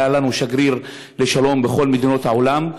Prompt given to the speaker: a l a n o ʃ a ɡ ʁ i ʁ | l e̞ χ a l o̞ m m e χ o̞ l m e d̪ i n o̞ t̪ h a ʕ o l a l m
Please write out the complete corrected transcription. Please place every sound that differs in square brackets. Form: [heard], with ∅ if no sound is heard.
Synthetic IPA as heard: a l a n [u] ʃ a ɡ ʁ i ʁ | l e̞ [ʃ] a l o̞ m [b] e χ o̞ l m e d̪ i n o̞ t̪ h a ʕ o l a [∅] m